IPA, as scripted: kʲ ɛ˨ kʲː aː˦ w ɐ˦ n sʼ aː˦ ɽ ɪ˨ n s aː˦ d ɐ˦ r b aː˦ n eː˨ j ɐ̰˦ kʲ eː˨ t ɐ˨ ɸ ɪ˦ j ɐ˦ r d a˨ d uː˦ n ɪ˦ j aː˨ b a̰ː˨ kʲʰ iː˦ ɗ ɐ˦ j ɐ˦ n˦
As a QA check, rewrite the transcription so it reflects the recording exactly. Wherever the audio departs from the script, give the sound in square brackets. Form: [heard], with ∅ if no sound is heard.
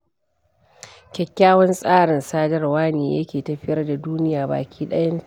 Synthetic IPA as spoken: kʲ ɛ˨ kʲː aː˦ w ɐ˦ n sʼ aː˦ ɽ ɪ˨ n s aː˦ d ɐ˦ r [w] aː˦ n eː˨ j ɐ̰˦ kʲ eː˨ t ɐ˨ ɸ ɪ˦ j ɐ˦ r d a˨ d uː˦ n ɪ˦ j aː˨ b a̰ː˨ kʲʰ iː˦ ɗ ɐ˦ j ɐ˦ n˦

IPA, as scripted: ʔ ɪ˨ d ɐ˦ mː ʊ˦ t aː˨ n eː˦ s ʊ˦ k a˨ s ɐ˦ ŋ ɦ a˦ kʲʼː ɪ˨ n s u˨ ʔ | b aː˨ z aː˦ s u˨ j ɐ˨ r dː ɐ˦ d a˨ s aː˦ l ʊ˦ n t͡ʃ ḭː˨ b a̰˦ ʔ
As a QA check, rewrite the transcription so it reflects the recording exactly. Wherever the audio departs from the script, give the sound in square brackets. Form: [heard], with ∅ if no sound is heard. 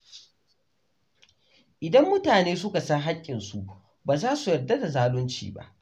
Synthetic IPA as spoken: ʔ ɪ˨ d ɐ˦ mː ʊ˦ t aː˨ n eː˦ s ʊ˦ k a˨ s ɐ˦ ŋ ɦ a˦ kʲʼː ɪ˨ n s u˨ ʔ | b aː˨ z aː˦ s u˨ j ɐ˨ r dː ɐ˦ d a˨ [z] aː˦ l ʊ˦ n t͡ʃ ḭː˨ b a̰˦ ʔ

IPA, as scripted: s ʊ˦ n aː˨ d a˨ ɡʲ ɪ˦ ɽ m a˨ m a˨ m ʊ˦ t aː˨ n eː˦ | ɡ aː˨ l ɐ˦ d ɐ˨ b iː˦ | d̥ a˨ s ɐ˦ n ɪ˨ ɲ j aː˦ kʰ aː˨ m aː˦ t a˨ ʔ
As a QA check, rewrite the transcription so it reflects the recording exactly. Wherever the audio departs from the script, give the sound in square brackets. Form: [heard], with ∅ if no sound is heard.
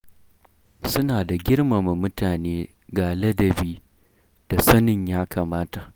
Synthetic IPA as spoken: s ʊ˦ n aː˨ d a˨ ɡʲ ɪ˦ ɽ m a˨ m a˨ m ʊ˦ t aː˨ n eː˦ | ɡ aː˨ l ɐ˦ d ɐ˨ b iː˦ | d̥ a˨ s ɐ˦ n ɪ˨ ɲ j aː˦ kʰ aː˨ m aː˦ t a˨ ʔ

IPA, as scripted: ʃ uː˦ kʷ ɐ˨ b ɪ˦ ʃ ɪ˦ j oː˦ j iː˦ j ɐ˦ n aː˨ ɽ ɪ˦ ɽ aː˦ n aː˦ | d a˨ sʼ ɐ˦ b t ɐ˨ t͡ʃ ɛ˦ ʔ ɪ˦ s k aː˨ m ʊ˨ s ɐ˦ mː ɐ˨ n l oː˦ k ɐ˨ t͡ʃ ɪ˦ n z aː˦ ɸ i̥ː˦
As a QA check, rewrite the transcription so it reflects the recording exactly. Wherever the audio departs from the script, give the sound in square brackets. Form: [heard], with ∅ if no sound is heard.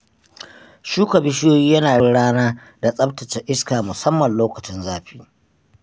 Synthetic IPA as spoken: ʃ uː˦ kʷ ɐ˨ b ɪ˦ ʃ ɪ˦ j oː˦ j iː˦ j ɐ˦ n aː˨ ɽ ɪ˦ ɽ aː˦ n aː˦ | d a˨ sʼ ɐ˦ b t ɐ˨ t͡ʃ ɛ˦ ʔ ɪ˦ s k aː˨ m ʊ˨ s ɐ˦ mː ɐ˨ n l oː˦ k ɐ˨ t͡ʃ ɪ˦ n z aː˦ ɸ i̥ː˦

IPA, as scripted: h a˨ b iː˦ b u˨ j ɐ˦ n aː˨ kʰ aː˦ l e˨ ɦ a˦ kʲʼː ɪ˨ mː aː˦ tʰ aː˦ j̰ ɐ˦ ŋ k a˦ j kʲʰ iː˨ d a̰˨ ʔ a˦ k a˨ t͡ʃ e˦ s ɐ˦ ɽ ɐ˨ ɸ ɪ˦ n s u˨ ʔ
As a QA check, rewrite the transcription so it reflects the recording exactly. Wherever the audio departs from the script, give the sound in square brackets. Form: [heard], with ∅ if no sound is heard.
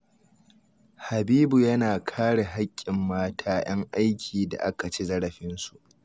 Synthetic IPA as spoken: h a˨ b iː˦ b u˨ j ɐ˦ n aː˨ kʰ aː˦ [ɽ] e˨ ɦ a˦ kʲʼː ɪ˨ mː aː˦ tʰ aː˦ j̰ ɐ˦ ŋ [ʔ] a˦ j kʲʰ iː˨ d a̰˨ ʔ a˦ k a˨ t͡ʃ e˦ [z] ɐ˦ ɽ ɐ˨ ɸ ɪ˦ n s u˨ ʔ

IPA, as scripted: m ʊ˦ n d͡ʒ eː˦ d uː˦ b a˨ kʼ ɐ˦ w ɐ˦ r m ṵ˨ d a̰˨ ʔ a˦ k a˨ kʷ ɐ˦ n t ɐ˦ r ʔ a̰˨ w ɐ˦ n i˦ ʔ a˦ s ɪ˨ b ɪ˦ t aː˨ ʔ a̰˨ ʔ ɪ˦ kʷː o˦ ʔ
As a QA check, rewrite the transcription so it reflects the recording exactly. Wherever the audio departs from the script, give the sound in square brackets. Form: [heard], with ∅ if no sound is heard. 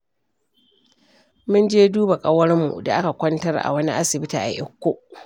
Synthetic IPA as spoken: m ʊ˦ n d͡ʒ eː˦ d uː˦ b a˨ kʼ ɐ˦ w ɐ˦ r m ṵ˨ d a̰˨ ʔ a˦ k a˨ kʷ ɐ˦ n t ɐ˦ r ʔ a̰˨ w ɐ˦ n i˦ ʔ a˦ s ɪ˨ b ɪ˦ t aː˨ ʔ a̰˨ ʔ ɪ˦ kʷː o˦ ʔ

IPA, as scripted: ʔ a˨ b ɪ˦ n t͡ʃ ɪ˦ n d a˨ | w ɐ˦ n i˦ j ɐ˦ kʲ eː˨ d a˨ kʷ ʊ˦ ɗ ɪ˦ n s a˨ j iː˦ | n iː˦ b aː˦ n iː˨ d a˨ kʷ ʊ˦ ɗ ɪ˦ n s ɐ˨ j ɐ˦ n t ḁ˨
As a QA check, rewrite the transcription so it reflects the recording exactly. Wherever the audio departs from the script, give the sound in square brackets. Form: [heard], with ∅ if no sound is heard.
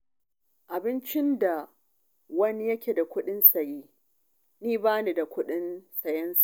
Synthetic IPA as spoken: ʔ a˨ b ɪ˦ n t͡ʃ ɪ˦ n d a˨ | w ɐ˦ n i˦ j ɐ˦ kʲ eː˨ d a˨ kʷ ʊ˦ ɗ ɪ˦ n s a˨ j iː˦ | n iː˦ b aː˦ n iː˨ d a˨ kʷ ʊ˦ ɗ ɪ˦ n s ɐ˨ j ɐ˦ n [s] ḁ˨

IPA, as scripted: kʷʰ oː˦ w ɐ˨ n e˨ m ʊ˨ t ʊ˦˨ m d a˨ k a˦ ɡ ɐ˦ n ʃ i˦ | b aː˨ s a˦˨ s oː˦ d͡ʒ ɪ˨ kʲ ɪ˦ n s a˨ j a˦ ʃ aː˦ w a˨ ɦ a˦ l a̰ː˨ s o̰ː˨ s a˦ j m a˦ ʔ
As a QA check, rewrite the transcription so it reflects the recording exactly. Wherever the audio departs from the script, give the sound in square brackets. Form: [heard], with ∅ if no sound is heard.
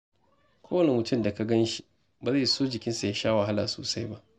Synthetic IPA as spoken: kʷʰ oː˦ w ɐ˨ n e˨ m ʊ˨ t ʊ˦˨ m d a˨ k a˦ ɡ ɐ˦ n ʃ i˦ | b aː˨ [z] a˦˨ s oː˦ d͡ʒ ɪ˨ kʲ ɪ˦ n s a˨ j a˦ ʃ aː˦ w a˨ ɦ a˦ l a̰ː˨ s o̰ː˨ s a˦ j [b] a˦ ʔ

